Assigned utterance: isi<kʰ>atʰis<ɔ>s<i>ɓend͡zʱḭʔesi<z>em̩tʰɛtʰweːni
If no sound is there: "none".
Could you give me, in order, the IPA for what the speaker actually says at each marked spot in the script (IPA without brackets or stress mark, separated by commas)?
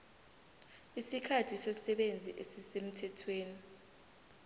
kʰ, ɔ, ɛ, s